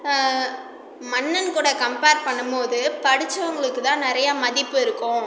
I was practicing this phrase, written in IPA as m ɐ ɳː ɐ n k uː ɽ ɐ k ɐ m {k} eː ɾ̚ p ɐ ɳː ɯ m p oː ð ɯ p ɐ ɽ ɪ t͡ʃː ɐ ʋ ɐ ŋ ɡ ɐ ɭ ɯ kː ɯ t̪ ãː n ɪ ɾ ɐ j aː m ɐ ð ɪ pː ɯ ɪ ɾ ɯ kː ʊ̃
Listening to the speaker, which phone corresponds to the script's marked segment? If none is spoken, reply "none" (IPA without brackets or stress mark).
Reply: p